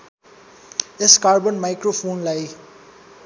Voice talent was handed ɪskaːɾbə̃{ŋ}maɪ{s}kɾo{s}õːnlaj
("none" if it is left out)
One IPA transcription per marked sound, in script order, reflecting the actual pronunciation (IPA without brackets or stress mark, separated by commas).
n, none, f